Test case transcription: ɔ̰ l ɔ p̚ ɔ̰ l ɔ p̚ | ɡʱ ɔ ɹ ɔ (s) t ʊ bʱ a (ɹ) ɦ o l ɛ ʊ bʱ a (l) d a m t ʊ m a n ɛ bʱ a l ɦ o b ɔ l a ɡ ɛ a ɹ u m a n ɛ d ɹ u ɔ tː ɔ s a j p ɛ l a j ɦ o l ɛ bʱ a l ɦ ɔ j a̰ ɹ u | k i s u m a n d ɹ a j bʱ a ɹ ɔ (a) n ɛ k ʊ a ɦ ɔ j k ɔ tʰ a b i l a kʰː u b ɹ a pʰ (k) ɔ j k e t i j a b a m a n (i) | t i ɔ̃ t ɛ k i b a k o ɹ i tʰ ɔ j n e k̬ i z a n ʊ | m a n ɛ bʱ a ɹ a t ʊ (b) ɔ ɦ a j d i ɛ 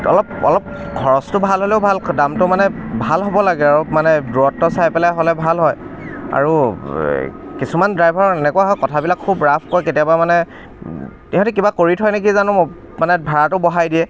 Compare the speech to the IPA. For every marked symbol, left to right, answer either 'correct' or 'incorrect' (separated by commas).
correct, incorrect, correct, incorrect, correct, incorrect, correct